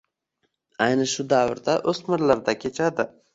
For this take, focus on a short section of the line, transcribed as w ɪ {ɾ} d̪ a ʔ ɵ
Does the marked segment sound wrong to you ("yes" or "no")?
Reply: no